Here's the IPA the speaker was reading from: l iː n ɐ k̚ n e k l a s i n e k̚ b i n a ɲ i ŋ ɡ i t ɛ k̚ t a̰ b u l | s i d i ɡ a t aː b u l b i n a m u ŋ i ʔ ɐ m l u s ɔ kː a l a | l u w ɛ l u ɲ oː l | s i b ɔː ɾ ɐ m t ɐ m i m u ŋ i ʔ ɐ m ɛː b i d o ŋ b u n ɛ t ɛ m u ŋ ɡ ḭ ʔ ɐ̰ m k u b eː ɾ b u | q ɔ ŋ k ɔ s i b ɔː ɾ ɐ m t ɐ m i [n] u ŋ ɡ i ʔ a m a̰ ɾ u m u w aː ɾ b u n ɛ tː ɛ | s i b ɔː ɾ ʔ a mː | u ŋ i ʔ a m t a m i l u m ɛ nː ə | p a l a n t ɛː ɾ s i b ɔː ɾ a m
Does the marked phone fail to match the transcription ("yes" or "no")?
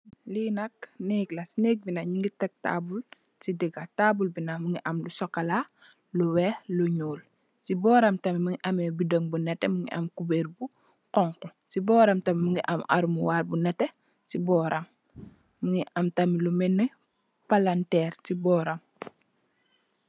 yes